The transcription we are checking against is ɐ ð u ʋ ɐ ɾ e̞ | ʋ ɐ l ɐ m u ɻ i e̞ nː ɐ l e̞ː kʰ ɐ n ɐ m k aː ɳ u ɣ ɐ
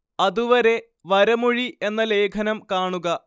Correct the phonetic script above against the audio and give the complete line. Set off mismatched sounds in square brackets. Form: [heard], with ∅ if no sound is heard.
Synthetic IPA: ɐ ð u ʋ ɐ ɾ e̞ | ʋ ɐ [ɾ] ɐ m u ɻ i e̞ nː ɐ l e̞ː kʰ ɐ n ɐ m k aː ɳ u ɣ ɐ